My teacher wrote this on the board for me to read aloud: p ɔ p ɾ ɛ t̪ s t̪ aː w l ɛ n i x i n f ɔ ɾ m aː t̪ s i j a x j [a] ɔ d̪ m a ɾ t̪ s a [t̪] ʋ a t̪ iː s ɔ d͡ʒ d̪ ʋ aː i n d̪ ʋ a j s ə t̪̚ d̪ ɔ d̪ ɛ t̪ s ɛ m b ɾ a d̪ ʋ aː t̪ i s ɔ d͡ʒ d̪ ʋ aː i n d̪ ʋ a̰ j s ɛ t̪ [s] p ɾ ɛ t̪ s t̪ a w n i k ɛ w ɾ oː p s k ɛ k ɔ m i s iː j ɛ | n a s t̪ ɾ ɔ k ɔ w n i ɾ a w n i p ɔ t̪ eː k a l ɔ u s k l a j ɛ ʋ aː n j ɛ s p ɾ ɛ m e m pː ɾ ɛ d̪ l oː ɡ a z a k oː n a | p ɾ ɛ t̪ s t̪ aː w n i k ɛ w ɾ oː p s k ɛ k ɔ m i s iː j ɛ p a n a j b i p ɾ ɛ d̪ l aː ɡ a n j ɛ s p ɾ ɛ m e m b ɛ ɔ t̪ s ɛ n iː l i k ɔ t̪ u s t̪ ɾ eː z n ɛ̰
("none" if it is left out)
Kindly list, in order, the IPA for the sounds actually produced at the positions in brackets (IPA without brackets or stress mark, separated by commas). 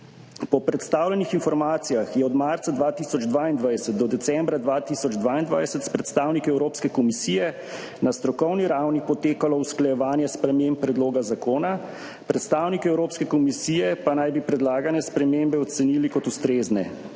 ɛ, d̪, s